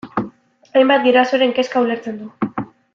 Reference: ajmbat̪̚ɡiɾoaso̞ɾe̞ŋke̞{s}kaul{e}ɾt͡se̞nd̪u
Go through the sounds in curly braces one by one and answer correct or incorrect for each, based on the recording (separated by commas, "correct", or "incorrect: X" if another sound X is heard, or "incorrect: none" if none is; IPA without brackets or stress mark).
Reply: correct, correct